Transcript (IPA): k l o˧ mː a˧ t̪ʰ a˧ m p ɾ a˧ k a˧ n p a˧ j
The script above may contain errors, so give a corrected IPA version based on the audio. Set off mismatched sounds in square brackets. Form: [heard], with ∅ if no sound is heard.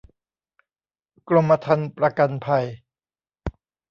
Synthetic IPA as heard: k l o˧ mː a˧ t̪ʰ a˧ [n] p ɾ a˧ k a˧ n [pʰ] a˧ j